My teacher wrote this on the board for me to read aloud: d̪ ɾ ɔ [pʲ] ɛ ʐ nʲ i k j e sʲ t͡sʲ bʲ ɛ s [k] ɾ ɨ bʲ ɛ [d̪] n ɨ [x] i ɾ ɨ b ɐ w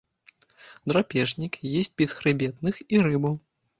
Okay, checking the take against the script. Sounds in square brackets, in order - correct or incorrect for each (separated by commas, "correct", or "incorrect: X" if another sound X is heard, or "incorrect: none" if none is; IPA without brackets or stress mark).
correct, incorrect: x, incorrect: t̪, correct